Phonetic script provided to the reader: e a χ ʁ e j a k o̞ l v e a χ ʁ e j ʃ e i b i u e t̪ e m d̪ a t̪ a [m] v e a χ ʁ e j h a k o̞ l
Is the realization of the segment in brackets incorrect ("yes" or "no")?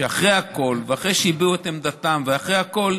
no